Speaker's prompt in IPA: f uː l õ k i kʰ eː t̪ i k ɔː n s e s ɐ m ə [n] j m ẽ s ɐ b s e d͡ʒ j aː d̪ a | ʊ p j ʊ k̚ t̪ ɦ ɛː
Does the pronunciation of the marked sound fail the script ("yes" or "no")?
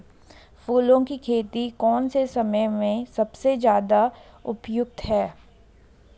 yes